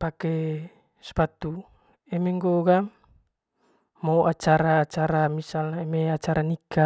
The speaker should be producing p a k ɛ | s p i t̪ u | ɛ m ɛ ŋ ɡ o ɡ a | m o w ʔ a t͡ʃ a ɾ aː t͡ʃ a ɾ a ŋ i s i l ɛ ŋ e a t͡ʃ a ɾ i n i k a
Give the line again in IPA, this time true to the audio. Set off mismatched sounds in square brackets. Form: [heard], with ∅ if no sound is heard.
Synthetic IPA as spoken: p a k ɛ | s p [a] t̪ u | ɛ m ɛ ŋ ɡ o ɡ a | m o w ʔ a t͡ʃ a ɾ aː t͡ʃ a ɾ a [m] i s [a] l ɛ [m] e a t͡ʃ a ɾ [a] n i k a

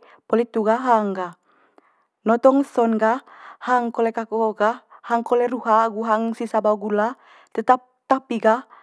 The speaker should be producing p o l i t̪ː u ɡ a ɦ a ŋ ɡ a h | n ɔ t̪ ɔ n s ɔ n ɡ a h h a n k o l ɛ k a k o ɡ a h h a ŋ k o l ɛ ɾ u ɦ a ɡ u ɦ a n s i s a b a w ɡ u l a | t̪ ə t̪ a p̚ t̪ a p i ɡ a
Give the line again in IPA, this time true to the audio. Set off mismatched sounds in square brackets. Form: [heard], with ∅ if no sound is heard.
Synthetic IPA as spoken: p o l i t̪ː u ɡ a ɦ a ŋ ɡ a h | n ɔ t̪ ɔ [ŋ] s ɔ n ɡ a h h a [ŋ] k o l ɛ k a k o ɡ a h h a ŋ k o l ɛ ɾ u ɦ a ɡ u ɦ a [ŋ] s i s a b a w ɡ u l a | t̪ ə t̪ a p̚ t̪ a p i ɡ a

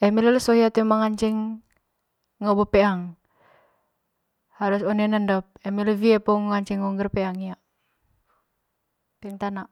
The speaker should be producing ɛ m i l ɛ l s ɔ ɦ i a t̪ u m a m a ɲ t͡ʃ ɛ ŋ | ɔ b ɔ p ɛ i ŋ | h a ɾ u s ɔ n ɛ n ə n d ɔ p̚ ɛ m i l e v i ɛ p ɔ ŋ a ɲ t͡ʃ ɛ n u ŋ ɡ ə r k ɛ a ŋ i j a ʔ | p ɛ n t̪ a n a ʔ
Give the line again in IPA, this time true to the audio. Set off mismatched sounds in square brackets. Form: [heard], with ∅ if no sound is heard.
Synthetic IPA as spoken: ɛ m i l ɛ l s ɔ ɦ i a t̪ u m a [ŋ] a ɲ t͡ʃ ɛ ŋ | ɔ b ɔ p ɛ [a] ŋ | h a ɾ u s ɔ n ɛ n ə n d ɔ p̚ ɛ m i l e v i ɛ p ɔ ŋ a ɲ t͡ʃ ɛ [ŋ] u ŋ ɡ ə r [p] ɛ a ŋ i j a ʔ | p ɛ [ŋ] t̪ a n a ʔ

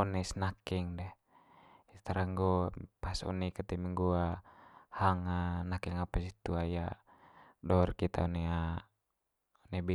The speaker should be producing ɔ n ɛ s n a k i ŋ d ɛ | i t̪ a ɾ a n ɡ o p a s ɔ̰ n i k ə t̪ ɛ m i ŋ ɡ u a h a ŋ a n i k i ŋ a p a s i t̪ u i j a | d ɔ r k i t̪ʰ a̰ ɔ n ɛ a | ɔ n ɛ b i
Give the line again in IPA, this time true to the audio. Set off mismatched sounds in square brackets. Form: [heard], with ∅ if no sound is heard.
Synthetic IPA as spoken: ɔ n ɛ s n a k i ŋ d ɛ | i t̪ a ɾ a [ŋ] ɡ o p a s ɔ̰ n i k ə t̪ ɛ m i ŋ ɡ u a h a ŋ a n [a] k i ŋ a p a s i t̪ u [a] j a | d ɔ r k i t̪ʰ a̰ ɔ n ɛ a | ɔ n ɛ b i

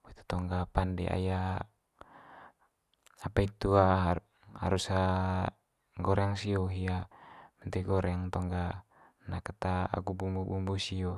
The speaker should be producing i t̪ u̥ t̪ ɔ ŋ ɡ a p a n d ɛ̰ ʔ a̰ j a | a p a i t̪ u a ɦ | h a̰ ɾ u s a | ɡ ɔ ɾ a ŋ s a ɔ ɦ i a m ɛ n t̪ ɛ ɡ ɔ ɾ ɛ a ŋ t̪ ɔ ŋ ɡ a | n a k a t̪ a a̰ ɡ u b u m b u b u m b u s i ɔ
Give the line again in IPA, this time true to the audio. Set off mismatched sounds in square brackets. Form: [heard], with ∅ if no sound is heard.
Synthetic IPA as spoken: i t̪ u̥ t̪ ɔ ŋ ɡ a p a n d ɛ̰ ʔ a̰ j a | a p a i t̪ u a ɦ | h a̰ ɾ u s a | ɡ ɔ ɾ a ŋ s [i] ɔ ɦ i a m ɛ n t̪ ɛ ɡ ɔ ɾ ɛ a ŋ t̪ ɔ ŋ ɡ a | n a k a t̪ a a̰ ɡ u b u m b u b u m b u s i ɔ

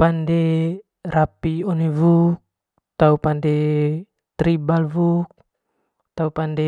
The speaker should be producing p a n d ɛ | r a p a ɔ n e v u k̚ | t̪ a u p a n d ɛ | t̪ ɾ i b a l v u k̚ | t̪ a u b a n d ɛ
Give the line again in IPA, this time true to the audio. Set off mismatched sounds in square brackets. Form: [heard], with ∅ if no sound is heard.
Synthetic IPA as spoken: p a n d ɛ | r a p [i] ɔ n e v u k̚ | t̪ a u p a n d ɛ | t̪ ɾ i b a l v u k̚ | t̪ a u [p] a n d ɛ

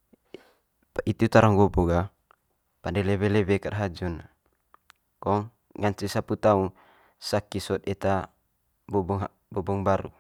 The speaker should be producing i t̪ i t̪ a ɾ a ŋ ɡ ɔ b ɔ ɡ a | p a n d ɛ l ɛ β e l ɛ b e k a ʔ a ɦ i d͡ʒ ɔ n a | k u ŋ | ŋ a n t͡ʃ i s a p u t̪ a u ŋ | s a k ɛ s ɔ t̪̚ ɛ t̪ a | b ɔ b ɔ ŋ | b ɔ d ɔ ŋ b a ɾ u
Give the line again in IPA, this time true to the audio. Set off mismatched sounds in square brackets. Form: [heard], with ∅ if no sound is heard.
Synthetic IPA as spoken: i t̪ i t̪ a ɾ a ŋ ɡ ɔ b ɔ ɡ a | p a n d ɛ l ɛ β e l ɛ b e k a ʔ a ɦ [a] d͡ʒ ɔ n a | k [ɔ] ŋ | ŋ a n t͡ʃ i s a p u t̪ a u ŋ | s a k [i] s ɔ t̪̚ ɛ t̪ a | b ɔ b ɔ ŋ | b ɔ [b] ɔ ŋ b a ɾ u

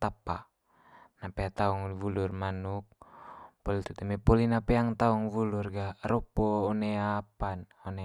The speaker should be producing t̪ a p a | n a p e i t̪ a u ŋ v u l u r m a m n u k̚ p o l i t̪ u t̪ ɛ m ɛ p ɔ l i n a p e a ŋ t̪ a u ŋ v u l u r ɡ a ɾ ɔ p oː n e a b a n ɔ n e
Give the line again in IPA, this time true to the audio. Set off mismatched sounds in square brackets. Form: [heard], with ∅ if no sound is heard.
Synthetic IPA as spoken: t̪ a p a | n a p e [a] t̪ a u ŋ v u l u r m a [∅] n u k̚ p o l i t̪ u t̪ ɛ m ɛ p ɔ l i n a p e a ŋ t̪ a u ŋ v u l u r ɡ a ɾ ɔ p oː n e a [p] a n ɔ n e

